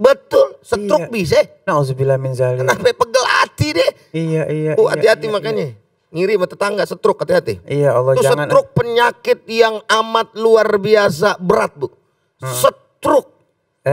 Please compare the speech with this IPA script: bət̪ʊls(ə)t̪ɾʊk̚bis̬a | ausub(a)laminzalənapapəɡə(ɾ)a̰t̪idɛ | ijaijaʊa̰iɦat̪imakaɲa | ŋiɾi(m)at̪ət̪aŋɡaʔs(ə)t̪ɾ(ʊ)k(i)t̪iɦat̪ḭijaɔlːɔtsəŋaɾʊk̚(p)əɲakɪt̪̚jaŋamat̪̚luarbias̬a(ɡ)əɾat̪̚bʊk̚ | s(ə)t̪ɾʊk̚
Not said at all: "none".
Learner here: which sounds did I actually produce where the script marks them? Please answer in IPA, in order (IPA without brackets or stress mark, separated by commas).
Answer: ə, i, l, m, ə, ʊ, a, p, b, ə